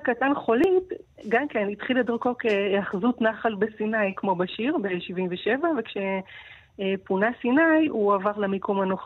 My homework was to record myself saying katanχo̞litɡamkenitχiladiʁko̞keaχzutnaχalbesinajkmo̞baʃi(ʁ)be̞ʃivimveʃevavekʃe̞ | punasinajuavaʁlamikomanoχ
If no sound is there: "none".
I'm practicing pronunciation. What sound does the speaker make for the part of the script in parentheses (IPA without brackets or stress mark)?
ʁ